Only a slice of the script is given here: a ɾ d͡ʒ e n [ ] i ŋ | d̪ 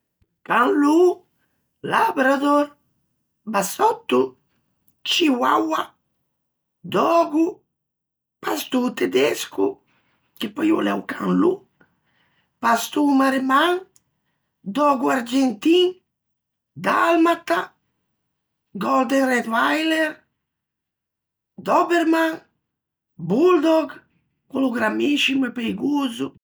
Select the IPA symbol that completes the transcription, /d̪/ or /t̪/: t̪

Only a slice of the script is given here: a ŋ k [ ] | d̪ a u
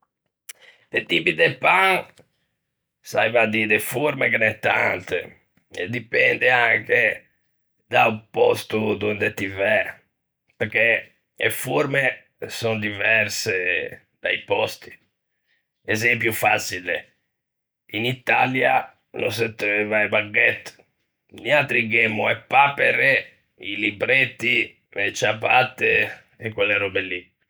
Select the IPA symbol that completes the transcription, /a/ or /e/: e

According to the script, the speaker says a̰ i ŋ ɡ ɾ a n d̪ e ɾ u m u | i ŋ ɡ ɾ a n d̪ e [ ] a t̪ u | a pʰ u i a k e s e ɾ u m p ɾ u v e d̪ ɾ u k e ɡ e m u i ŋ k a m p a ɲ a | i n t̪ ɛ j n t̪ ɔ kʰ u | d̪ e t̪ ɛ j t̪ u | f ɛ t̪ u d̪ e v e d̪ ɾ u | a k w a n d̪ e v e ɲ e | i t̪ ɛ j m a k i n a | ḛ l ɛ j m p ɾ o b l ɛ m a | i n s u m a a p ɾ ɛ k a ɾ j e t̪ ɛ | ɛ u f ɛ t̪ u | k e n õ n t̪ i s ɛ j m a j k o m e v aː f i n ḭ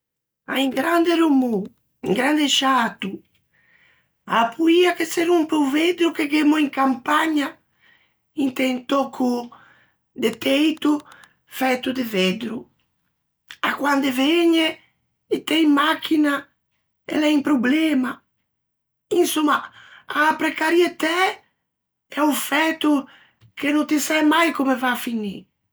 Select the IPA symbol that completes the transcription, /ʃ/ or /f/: ʃ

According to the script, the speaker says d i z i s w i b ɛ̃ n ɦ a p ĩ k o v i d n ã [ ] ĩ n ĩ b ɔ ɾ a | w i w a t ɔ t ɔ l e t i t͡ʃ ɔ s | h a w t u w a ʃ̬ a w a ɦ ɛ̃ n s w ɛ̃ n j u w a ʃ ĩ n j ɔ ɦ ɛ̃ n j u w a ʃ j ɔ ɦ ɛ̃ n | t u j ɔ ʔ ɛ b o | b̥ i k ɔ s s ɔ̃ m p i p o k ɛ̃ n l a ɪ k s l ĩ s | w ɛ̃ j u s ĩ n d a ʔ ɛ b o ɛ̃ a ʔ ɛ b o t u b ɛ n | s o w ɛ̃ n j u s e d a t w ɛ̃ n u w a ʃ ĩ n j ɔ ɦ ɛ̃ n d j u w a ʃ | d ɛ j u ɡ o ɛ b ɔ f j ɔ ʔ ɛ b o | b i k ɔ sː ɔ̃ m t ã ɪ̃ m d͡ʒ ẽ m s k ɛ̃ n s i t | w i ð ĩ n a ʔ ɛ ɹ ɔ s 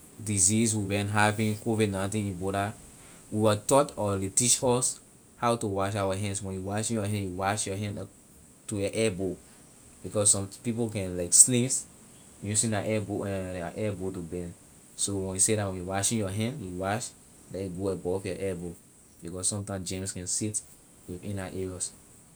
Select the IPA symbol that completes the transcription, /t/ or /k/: t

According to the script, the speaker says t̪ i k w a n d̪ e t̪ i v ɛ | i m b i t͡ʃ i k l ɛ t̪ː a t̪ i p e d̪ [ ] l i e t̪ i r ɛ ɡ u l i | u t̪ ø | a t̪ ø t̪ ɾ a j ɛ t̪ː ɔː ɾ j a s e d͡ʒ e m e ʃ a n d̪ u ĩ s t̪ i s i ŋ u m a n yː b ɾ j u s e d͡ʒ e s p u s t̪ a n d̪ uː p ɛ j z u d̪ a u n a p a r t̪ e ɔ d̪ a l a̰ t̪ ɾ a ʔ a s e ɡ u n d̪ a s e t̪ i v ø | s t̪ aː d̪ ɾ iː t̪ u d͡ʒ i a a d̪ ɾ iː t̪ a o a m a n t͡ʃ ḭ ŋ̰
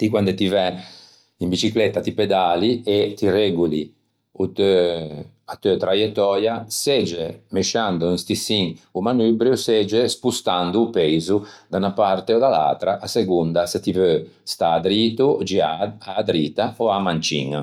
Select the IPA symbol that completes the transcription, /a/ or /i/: a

